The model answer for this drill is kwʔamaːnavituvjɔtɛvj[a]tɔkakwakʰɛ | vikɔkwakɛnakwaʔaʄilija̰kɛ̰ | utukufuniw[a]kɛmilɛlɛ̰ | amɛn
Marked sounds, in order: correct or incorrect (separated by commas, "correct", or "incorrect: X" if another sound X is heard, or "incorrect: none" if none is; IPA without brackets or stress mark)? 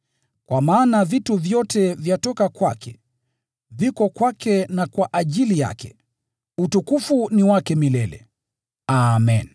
correct, correct